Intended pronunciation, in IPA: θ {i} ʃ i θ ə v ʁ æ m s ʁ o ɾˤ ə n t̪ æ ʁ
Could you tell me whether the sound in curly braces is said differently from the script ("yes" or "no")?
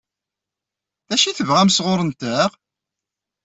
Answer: yes